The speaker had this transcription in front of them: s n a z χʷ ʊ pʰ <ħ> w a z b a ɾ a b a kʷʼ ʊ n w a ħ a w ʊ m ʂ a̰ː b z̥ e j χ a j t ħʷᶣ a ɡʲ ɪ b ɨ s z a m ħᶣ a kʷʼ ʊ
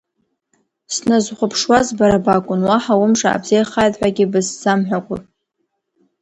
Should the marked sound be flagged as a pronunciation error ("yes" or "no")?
yes